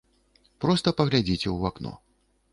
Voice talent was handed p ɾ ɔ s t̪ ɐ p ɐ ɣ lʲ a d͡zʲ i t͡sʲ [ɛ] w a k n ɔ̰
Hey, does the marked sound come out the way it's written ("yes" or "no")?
yes